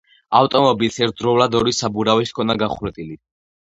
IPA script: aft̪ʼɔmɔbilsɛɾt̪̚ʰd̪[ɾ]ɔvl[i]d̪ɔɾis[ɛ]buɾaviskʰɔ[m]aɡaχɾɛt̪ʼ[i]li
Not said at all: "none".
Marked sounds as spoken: ɾ, a, a, n, i

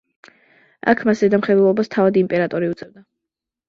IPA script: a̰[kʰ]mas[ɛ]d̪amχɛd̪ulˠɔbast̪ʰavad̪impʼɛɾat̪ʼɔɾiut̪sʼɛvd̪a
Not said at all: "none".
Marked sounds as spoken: kʰ, ɛ

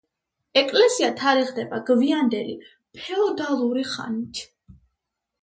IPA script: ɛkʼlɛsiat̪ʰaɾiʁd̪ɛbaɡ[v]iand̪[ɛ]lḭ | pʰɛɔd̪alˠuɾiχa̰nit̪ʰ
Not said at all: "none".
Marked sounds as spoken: v, ɛ

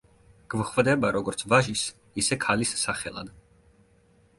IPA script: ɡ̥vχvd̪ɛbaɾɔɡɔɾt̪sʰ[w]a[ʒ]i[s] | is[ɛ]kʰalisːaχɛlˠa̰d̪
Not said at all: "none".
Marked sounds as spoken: v, ʒ, s, ɛ

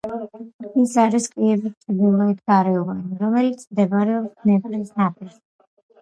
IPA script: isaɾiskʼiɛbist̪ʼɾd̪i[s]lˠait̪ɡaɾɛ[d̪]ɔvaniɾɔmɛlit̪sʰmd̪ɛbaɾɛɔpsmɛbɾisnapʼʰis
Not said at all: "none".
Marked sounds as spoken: none, none

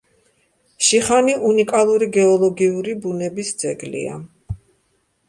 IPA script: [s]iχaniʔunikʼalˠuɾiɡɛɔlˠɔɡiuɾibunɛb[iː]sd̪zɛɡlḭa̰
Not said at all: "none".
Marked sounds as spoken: ʃ, i

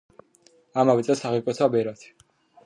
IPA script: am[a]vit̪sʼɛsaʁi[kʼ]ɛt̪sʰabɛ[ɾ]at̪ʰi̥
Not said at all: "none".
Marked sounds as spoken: a, kʼ, ɾ

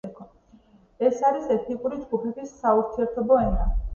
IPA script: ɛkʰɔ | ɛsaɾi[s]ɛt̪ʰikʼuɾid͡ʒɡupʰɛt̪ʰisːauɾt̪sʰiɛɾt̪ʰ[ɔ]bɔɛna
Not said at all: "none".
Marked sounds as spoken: s, ɔ

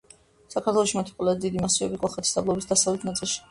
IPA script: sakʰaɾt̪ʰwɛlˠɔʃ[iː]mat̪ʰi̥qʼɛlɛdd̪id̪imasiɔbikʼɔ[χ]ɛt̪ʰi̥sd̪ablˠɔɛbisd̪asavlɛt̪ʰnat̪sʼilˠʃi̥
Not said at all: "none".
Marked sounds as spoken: i, χ

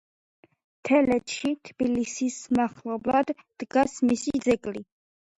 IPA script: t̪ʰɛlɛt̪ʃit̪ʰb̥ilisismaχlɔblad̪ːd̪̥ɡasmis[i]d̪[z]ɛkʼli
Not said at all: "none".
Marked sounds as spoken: i, z

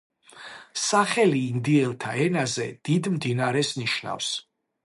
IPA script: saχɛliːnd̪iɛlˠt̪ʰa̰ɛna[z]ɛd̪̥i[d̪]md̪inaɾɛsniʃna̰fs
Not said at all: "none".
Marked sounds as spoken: z, d̪

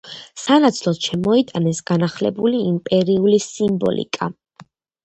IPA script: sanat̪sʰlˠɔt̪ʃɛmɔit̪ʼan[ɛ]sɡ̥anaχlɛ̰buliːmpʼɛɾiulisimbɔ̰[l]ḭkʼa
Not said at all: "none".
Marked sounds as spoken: ɛ, l

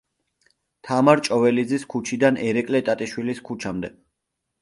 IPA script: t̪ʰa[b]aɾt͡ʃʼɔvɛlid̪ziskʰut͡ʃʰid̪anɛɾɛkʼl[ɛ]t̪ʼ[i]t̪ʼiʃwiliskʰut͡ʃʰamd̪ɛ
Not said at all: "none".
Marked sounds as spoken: m, ɛ, a

